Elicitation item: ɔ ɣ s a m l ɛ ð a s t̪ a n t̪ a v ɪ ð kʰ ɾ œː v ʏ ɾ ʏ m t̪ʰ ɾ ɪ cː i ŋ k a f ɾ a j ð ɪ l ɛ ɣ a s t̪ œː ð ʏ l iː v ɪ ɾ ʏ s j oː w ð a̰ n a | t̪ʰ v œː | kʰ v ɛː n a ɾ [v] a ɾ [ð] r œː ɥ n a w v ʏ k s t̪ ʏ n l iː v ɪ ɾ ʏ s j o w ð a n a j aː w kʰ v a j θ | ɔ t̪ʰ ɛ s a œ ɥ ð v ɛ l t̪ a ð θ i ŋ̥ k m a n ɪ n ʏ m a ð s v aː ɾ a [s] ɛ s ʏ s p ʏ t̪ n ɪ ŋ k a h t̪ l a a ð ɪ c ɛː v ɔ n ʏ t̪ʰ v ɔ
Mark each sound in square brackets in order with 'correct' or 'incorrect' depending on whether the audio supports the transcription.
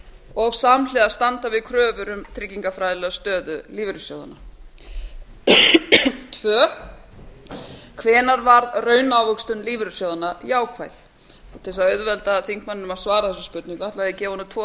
correct, correct, incorrect: θ

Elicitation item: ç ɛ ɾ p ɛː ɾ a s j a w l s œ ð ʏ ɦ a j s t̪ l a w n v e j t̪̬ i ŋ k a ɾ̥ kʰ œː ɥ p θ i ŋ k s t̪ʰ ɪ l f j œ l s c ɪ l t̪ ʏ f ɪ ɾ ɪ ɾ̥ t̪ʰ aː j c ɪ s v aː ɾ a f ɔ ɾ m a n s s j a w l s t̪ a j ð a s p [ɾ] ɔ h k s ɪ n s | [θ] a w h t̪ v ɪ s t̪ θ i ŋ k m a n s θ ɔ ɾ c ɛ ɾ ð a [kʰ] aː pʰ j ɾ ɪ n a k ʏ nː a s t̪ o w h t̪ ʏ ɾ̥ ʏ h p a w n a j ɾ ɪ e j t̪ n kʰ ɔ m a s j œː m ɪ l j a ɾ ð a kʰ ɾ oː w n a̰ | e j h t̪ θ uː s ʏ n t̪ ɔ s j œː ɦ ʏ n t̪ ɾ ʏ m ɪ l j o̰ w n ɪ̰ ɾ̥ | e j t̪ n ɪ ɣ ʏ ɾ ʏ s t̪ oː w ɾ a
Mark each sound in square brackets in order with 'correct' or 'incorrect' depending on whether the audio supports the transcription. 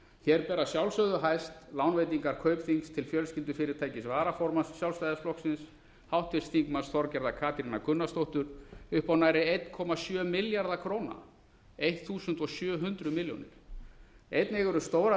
incorrect: l, incorrect: h, correct

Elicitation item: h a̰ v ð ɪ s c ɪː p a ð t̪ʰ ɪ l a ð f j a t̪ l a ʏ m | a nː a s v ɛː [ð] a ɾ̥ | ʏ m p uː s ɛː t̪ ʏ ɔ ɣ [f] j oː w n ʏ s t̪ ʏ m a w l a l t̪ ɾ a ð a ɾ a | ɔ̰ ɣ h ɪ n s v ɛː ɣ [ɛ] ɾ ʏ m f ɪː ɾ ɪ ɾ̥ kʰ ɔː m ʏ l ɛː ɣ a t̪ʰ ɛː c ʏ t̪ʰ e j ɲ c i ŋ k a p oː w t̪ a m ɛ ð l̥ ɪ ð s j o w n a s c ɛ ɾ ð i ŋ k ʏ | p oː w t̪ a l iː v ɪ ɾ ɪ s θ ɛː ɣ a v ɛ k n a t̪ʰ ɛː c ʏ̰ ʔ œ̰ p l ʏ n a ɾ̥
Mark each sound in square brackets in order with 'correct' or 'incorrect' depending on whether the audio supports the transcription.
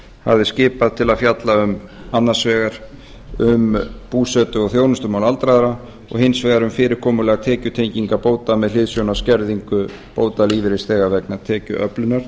incorrect: ɣ, incorrect: θ, incorrect: a

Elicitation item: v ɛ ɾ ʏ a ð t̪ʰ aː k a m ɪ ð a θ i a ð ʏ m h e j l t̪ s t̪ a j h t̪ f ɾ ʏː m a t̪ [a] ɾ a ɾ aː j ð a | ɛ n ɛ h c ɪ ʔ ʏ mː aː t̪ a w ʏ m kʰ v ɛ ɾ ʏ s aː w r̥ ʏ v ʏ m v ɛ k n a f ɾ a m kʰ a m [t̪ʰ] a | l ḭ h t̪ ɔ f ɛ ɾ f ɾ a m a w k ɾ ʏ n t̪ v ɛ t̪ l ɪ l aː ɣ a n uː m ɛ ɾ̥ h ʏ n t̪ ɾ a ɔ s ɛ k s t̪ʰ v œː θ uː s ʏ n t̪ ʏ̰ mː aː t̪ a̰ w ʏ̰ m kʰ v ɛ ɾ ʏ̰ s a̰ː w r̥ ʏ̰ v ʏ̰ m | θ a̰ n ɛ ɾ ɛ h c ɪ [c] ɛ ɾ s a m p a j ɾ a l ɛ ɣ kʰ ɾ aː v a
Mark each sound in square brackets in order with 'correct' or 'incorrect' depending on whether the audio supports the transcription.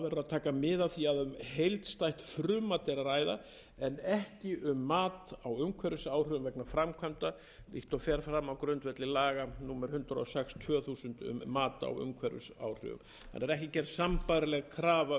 incorrect: ɛ, incorrect: t̪, correct

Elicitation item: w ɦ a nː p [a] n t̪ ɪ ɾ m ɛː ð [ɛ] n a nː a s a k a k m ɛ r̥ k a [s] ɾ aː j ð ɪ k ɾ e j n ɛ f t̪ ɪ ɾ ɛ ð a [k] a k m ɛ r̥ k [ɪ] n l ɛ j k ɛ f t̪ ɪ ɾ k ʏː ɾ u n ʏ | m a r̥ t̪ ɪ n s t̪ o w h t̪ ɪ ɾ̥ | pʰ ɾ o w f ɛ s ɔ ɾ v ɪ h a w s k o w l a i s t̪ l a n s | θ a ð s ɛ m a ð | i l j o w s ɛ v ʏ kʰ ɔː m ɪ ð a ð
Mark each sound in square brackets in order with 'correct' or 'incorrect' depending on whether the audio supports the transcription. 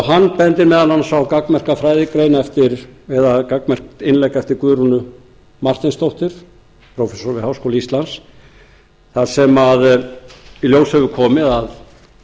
incorrect: ɛ, incorrect: a, incorrect: f, correct, correct

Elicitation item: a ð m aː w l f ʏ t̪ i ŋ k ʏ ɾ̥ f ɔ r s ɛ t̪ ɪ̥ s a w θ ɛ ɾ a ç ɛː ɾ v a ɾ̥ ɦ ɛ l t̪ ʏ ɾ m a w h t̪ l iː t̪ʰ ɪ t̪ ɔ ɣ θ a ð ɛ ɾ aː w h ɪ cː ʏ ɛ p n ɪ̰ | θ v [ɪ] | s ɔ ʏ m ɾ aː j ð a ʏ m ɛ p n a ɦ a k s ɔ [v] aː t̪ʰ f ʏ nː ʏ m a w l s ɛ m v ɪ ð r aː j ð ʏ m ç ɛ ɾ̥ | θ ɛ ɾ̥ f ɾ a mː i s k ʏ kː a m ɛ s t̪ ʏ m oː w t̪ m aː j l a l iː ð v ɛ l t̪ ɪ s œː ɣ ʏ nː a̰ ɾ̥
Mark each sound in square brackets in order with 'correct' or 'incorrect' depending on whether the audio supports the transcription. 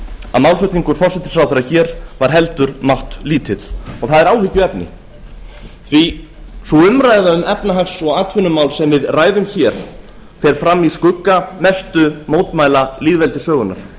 incorrect: i, incorrect: ɣ

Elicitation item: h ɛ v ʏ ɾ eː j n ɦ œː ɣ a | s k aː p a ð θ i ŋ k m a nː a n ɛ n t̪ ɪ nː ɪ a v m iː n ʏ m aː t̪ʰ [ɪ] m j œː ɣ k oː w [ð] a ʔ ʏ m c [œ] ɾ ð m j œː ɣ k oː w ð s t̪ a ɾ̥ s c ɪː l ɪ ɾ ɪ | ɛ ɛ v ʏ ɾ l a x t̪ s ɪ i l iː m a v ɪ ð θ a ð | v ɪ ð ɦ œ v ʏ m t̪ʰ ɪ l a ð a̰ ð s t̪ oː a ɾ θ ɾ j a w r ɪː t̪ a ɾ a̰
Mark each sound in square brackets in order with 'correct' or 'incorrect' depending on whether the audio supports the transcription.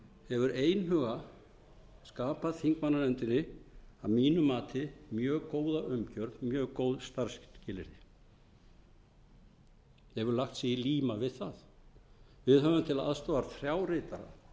correct, correct, correct

